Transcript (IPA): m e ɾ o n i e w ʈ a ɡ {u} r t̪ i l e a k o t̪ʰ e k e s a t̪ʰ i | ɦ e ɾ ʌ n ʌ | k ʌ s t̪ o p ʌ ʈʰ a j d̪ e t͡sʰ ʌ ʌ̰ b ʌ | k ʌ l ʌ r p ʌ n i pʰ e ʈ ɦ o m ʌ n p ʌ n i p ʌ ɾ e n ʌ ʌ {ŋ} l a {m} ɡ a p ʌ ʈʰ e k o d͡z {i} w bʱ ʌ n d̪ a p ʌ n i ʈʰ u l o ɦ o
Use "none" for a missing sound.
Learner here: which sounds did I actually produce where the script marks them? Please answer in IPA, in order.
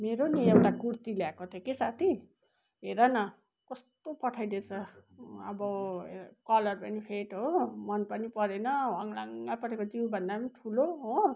u, ŋ, ŋ, i

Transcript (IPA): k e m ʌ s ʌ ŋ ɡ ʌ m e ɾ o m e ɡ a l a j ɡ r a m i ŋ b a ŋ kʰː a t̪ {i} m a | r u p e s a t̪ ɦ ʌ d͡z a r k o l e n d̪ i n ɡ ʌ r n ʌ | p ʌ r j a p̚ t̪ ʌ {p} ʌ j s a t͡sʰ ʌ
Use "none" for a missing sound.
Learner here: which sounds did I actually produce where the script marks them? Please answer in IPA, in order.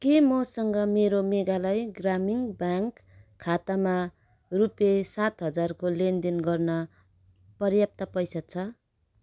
a, p

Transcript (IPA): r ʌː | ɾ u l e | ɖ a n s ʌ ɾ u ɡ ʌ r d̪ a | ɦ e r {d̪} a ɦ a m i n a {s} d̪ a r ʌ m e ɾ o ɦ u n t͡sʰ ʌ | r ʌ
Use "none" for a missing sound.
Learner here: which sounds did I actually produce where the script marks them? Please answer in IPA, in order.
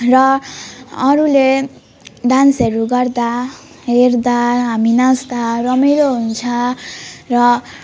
d̪, s

